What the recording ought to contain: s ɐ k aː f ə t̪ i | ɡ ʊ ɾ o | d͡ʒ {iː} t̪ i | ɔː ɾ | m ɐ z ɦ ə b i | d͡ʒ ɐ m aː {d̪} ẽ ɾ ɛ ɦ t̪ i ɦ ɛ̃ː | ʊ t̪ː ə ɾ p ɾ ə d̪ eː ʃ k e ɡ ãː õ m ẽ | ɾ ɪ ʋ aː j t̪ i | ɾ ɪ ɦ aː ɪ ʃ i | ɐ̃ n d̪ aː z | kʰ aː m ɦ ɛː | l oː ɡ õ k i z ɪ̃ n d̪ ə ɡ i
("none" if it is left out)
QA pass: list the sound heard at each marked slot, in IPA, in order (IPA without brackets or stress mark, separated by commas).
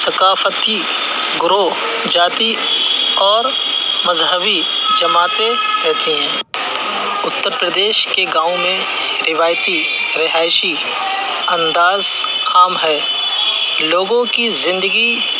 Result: aː, t̪